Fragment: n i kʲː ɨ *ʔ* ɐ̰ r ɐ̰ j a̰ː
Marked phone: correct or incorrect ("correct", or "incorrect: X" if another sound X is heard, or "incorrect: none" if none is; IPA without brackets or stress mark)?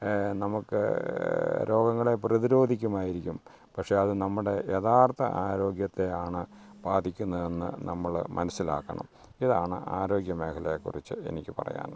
incorrect: p